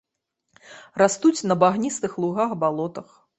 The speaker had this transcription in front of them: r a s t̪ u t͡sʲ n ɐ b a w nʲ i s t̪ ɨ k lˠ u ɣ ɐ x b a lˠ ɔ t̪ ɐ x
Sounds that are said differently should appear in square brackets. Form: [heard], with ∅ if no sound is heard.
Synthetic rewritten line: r a s t̪ u t͡sʲ n ɐ b a [ɣ] nʲ i s t̪ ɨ [x] lˠ u ɣ [a] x b a lˠ ɔ t̪ ɐ x